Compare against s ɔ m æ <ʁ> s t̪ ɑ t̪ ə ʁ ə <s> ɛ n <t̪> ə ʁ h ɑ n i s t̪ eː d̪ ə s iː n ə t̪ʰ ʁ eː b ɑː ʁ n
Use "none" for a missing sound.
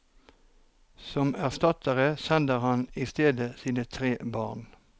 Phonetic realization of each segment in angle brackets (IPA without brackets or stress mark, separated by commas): ʁ, s, d̪